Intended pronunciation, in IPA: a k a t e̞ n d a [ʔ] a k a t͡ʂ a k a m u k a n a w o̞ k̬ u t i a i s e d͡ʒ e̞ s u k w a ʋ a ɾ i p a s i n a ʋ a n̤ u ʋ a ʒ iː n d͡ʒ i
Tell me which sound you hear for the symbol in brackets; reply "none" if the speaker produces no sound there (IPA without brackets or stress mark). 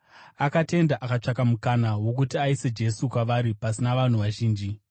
ʔ